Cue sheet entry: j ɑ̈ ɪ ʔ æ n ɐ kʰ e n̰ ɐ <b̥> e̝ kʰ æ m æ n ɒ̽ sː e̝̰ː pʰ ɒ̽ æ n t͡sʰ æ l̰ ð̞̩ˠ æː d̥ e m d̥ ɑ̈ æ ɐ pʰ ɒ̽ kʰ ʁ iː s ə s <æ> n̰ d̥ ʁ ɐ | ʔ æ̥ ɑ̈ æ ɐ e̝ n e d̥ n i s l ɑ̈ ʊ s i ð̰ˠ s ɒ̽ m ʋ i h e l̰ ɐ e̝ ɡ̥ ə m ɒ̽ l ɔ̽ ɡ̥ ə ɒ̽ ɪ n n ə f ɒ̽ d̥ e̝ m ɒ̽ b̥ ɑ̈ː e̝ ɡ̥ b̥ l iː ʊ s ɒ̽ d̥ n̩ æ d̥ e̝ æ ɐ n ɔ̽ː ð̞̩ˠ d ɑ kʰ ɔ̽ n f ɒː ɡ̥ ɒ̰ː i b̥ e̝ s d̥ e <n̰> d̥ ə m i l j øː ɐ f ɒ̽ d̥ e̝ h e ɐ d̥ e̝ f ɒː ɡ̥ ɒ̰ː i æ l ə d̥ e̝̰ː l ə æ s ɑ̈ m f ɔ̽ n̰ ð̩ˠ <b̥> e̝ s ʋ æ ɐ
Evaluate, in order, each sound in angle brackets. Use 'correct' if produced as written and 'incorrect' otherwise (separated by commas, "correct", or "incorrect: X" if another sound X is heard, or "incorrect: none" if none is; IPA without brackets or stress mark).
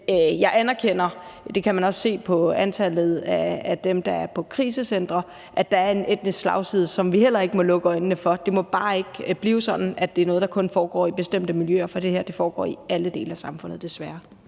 incorrect: d̥, incorrect: e, incorrect: m̰, incorrect: d̥